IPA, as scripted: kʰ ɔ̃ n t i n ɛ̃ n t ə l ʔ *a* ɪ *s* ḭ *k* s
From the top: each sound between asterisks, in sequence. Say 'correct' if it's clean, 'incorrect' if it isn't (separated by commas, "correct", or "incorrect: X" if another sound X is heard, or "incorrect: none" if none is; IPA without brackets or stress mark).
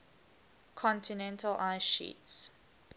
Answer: correct, incorrect: ʃ, incorrect: t